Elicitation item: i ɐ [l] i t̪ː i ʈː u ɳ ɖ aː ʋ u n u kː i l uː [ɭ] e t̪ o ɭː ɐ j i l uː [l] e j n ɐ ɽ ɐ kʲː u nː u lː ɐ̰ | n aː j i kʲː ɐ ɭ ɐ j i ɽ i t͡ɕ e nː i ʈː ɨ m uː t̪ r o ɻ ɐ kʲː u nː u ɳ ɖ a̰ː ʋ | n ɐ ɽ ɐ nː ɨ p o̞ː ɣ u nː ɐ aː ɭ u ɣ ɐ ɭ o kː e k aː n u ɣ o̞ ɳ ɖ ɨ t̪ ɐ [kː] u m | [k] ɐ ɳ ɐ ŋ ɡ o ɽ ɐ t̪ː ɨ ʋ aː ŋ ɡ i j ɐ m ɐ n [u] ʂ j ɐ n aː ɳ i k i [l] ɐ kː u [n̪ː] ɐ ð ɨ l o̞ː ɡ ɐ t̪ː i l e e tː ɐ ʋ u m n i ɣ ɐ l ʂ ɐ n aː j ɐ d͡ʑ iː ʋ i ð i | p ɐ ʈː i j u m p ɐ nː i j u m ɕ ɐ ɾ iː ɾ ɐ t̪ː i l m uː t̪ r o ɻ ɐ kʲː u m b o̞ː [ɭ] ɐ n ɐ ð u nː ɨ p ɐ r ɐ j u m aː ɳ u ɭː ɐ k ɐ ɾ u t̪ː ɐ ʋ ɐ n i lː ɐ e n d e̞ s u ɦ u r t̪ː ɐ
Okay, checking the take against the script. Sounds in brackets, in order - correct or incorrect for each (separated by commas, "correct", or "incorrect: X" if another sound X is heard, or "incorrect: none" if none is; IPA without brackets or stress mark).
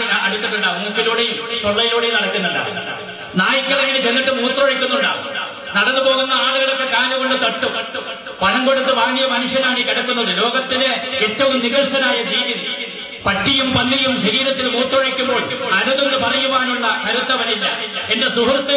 incorrect: ɽ, incorrect: ɽ, incorrect: ɽ, incorrect: ʈː, incorrect: p, correct, incorrect: ɽ, correct, correct